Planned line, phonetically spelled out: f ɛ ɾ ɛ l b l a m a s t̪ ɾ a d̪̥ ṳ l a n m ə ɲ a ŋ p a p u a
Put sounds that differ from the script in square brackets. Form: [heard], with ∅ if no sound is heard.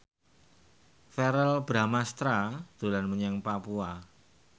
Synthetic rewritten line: f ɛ ɾ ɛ l b [ɾ] a m a s t̪ ɾ a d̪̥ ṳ l a n m ə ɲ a ŋ p a p u a